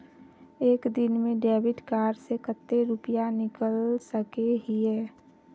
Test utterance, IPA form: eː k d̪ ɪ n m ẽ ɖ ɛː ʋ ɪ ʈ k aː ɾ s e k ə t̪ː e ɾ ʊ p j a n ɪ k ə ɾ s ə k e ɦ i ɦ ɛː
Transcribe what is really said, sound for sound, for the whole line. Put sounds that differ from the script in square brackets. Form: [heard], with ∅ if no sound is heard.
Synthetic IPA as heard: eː k d̪ ɪ n m ẽ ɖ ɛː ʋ ɪ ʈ k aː ɾ s e k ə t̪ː e ɾ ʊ p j a n ɪ k ə [l] s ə k e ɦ i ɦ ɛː